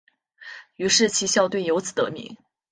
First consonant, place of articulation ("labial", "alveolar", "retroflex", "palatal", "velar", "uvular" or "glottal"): retroflex